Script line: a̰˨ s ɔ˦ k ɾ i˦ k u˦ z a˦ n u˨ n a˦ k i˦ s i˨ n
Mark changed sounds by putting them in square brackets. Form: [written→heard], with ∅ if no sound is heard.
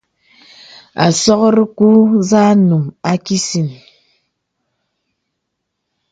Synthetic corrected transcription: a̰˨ s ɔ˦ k ɾ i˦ k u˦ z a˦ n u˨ [n→m] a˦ k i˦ s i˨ n